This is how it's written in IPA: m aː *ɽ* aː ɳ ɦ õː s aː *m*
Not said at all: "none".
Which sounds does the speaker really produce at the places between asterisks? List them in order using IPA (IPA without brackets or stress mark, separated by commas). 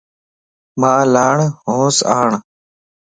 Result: l, ɳ